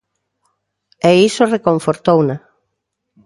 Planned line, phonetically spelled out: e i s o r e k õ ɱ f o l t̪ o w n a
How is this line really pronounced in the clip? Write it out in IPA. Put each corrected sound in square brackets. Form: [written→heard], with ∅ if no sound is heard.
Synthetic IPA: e i s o r e k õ ɱ f o [l→ɾ] t̪ o w n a